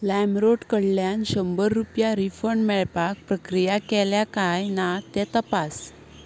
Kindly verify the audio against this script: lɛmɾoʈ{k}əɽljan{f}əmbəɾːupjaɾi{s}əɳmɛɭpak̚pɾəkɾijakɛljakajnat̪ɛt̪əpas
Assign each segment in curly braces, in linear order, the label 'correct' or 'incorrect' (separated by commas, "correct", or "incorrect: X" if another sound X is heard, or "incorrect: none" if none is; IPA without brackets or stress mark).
correct, incorrect: ɕ, incorrect: f